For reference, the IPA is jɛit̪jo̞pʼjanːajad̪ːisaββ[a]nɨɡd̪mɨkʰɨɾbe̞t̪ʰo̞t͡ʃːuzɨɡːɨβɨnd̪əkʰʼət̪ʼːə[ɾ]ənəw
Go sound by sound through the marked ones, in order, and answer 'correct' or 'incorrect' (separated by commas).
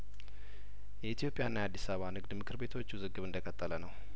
correct, incorrect